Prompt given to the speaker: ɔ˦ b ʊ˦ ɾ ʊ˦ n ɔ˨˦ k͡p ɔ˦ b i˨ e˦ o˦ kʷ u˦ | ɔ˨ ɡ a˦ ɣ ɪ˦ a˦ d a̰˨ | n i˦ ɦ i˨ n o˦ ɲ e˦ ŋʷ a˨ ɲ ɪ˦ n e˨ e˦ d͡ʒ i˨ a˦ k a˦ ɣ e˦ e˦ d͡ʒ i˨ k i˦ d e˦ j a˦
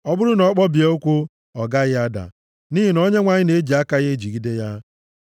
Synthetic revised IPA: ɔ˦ b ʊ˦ ɾ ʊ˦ n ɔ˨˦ k͡p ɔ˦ b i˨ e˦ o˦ kʷ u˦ | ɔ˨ ɡ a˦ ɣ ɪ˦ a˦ d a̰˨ | n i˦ ɦ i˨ n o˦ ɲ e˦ ŋʷ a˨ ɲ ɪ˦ n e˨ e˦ d͡ʒ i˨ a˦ k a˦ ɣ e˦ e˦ d͡ʒ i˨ ɡ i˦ d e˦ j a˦